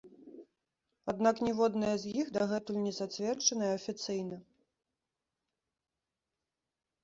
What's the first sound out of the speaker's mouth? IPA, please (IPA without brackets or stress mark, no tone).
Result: a